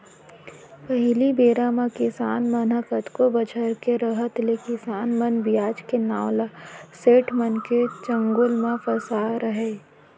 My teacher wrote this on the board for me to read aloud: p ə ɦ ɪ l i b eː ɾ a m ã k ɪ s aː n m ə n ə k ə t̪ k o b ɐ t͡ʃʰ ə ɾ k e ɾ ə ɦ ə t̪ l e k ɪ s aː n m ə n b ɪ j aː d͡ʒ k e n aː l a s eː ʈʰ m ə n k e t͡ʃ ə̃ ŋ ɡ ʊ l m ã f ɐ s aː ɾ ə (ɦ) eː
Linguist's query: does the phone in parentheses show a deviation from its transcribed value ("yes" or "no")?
no